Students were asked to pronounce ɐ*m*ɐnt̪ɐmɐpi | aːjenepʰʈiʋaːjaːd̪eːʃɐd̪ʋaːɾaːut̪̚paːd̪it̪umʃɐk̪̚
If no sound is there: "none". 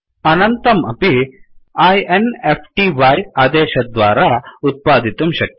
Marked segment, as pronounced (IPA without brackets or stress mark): n